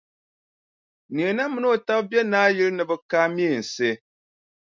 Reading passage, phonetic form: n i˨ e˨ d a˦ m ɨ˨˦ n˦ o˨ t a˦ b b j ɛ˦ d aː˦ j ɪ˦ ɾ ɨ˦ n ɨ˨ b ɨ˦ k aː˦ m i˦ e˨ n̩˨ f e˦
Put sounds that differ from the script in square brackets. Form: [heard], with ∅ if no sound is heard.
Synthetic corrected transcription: n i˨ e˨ [n] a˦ m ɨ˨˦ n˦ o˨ t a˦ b b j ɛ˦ [n] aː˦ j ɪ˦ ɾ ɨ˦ n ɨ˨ b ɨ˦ k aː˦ m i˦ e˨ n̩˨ [s] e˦